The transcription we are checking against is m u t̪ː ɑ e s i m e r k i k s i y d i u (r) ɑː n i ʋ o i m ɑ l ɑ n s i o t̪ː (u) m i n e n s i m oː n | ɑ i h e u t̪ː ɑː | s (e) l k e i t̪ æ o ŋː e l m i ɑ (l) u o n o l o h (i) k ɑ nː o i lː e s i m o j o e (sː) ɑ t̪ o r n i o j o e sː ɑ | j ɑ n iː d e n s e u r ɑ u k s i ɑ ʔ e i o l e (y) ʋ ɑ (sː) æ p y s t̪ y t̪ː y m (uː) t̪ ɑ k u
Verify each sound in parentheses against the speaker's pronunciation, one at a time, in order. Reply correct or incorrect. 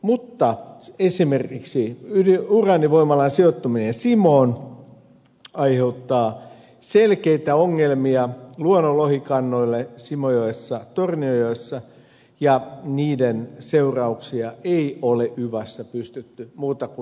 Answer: correct, correct, correct, correct, correct, correct, correct, correct, correct

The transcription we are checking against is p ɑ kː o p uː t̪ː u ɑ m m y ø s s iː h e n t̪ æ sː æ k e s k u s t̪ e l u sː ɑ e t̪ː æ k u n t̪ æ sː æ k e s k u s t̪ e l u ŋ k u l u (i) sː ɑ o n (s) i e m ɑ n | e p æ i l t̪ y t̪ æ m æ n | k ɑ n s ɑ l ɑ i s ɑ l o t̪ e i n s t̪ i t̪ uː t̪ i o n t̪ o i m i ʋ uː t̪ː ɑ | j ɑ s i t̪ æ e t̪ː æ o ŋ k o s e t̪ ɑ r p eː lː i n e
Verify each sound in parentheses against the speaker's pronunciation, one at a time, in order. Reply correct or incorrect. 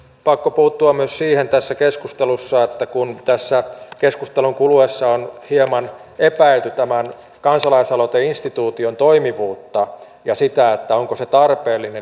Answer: incorrect: e, incorrect: h

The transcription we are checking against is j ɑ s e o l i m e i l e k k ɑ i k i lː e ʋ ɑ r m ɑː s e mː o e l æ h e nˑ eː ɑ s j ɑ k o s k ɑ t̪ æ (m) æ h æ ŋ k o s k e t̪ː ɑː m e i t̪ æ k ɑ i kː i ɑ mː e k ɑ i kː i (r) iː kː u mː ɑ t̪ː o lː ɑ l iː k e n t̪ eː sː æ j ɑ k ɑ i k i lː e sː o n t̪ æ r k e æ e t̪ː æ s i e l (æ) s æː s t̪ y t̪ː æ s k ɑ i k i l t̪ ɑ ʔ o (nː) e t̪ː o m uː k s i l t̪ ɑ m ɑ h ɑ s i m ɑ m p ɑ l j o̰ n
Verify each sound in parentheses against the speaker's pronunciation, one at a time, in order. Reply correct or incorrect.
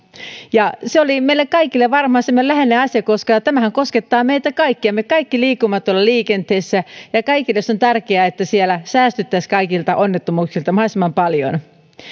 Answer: correct, incorrect: l, correct, correct

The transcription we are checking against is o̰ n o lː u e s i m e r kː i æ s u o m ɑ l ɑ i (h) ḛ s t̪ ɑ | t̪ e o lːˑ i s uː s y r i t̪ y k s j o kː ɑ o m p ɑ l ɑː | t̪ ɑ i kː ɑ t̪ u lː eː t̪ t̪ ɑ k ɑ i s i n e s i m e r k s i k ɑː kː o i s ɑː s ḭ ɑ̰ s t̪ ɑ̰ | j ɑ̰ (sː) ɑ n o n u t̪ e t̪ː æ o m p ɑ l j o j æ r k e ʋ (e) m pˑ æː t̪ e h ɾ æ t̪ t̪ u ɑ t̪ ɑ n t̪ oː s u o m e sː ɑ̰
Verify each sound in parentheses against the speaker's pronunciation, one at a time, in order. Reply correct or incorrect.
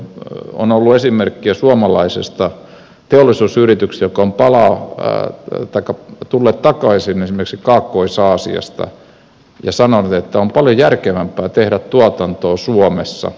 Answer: incorrect: s, incorrect: s, incorrect: æ

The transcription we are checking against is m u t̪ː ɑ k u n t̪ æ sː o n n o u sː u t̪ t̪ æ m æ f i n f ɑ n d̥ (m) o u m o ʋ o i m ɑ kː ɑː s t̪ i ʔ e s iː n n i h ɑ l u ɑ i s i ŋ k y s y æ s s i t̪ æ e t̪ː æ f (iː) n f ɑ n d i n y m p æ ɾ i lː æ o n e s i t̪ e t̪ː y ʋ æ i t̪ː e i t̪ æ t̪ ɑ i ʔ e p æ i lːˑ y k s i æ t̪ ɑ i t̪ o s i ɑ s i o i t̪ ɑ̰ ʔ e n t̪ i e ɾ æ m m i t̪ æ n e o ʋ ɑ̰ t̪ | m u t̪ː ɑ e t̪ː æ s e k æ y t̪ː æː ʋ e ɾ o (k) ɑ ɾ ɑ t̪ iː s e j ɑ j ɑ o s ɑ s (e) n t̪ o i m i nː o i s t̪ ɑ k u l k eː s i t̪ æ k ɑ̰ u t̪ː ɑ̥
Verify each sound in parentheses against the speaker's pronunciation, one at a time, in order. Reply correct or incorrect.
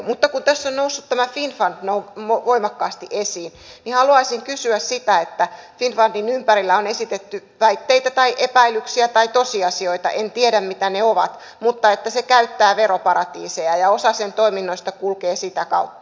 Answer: incorrect: n, incorrect: i, incorrect: p, correct

